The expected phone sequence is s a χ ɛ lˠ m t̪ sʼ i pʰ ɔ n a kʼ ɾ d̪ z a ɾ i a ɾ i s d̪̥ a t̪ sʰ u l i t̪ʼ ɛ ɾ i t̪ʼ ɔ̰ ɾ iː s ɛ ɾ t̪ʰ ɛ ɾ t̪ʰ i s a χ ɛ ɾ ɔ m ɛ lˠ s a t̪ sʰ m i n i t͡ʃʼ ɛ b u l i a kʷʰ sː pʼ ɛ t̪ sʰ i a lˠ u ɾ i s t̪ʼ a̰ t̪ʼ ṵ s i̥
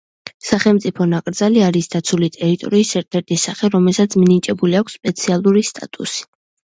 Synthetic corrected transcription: s a χ ɛ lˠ m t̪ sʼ i pʰ ɔ n a kʼ ɾ d̪ z a l i a ɾ i s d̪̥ a t̪ sʰ u l i t̪ʼ ɛ ɾ i t̪ʼ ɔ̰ ɾ iː s ɛ ɾ t̪ʰ ɛ ɾ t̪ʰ i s a χ ɛ ɾ ɔ m ɛ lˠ s a t̪ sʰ m i n i t͡ʃʼ ɛ b u l i a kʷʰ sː pʼ ɛ t̪ sʰ i a lˠ u ɾ i s t̪ʼ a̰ t̪ʼ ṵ s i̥